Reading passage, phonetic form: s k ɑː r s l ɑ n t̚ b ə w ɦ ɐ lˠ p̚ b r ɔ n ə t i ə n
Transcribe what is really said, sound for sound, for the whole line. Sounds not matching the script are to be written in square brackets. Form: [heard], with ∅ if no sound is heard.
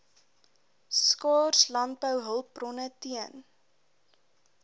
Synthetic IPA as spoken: s k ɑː r s l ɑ n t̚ b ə w ɦ [ə] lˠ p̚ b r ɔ n ə t i ə n